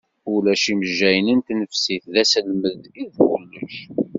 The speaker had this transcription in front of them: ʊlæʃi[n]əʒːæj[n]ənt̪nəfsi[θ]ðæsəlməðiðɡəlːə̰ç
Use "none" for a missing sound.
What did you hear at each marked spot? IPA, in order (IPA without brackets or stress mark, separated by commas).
m, n, θ